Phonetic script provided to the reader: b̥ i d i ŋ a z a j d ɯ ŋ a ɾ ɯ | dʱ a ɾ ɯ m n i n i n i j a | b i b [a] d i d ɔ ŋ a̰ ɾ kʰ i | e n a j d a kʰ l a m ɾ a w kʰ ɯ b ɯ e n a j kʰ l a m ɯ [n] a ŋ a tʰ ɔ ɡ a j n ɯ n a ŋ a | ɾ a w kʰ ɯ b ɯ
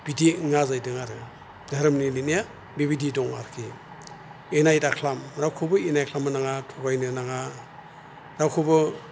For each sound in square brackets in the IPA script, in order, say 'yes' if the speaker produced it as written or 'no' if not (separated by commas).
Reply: no, yes